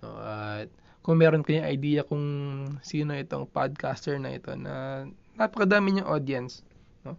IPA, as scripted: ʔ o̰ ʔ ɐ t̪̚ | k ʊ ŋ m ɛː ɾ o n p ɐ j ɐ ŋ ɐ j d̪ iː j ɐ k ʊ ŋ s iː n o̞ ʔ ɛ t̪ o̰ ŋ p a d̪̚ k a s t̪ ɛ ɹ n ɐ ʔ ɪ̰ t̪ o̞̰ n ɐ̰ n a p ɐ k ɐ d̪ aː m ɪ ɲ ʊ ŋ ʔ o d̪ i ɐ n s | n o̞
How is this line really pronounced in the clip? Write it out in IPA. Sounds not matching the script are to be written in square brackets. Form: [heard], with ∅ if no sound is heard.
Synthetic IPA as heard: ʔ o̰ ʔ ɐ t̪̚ | k ʊ ŋ m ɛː ɾ o n [k] ɐ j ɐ ŋ ɐ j d̪ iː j ɐ k ʊ ŋ s iː n o̞ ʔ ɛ t̪ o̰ ŋ p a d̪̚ k a s t̪ ɛ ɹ n ɐ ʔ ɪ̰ t̪ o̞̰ n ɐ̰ n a p ɐ k ɐ d̪ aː m ɪ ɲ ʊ ŋ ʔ o d̪ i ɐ n s | n o̞